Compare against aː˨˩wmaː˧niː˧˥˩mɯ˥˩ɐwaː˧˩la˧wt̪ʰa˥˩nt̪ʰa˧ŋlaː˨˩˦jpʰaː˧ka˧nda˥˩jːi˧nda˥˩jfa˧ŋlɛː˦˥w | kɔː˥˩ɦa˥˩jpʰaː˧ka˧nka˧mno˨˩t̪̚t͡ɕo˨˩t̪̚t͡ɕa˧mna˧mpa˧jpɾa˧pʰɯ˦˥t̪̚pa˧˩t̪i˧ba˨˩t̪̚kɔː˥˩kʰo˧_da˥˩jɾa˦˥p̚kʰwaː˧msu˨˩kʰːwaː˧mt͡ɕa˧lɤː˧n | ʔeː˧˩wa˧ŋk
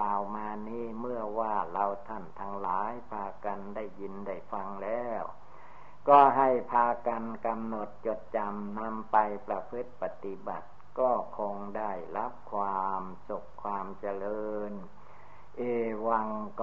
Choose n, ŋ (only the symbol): ŋ